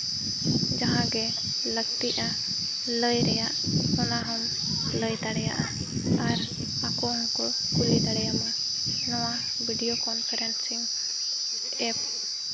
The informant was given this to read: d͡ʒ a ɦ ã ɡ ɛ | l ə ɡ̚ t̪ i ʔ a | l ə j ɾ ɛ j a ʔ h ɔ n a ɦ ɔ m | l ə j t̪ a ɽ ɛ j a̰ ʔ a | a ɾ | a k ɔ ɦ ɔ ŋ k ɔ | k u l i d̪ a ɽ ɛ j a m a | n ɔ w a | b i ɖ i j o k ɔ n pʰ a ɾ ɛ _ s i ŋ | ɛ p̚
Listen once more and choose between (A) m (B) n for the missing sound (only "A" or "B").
B